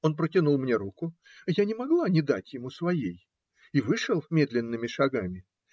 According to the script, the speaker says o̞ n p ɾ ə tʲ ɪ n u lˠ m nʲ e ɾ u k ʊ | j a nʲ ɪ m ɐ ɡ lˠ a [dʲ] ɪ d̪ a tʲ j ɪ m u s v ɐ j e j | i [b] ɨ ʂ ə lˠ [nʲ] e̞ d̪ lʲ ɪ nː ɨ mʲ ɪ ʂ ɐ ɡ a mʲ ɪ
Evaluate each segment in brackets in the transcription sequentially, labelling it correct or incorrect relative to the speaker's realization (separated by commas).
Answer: incorrect, incorrect, incorrect